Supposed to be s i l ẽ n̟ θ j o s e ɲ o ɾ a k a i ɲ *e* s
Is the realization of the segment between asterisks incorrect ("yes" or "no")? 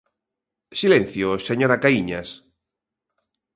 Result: yes